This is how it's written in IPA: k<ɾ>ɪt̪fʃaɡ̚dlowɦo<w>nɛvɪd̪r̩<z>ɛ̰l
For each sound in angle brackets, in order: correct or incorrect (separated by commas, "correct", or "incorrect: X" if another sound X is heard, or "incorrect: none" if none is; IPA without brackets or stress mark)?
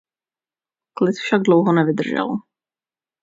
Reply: incorrect: l, incorrect: none, incorrect: ʒ